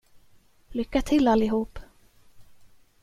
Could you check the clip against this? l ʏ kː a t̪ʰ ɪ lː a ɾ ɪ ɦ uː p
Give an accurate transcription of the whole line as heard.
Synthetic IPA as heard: l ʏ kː a t̪ʰ ɪ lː a l ɪ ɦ uː p